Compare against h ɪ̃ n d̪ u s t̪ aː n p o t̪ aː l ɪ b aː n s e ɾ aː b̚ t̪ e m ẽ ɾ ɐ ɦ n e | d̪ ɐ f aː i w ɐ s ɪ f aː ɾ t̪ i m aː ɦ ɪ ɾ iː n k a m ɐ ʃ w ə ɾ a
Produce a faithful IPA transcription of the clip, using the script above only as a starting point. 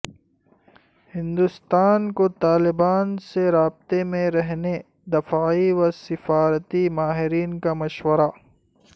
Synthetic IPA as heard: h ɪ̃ n d̪ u s t̪ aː n k o t̪ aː l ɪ b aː n s e ɾ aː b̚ t̪ e m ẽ ɾ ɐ ɦ n e | d̪ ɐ f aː i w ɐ s ɪ f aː ɾ t̪ i m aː ɦ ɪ ɾ iː n k a m ɐ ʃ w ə ɾ a